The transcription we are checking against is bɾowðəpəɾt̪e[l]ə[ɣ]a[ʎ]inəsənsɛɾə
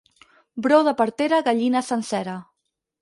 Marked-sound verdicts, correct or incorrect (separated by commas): incorrect, correct, correct